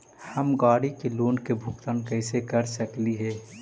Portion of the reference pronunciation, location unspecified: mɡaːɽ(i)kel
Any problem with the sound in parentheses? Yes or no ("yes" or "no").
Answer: no